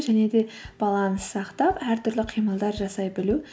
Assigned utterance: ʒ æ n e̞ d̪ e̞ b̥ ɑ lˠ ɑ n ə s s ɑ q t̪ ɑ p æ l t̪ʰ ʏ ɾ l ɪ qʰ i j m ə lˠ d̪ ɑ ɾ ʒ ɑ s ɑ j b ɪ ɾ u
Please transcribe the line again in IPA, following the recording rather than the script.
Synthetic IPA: ʒ æ n e̞ d̪ e̞ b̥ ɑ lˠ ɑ n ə s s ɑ q t̪ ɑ p æ ɾ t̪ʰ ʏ ɾ l ɪ qʰ i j m ə lˠ d̪ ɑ ɾ ʒ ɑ s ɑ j b ɪ l u